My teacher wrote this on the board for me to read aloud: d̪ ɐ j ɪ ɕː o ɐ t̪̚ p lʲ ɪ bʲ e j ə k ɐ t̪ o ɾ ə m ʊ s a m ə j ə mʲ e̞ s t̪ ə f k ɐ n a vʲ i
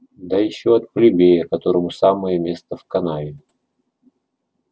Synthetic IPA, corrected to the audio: d̪ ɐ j ɪ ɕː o ɐ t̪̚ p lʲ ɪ bʲ e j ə k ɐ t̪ o ɾ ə m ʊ s a m ə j ə mʲ e̞ s t̪ ə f k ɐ n a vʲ ɪ